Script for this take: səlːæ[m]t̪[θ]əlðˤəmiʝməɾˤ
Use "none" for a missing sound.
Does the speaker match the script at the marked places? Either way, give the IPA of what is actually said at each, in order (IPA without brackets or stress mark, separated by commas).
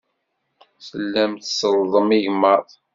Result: m, s